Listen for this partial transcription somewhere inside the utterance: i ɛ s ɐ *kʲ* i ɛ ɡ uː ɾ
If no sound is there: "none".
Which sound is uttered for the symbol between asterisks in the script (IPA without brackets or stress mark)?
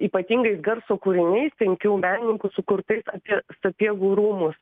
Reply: pʲ